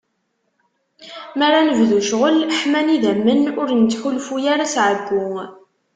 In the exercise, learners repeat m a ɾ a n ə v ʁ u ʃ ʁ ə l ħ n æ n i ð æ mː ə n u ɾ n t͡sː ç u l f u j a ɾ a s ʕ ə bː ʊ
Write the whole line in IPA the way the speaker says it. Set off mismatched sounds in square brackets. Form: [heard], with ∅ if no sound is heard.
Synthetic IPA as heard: m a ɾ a n ə v [ð] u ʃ ʁ ə l ħ [m] æ n i ð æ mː ə n [ʊ] ɾ n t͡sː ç u l f u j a ɾ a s ʕ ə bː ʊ